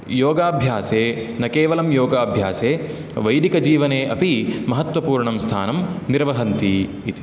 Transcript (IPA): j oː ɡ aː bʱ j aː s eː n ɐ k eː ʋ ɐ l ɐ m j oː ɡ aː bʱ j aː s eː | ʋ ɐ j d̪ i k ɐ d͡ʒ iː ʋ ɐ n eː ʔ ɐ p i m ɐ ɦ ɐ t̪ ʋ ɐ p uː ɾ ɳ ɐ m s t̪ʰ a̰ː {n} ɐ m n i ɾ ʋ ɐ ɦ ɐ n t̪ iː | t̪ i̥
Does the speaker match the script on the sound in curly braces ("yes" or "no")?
yes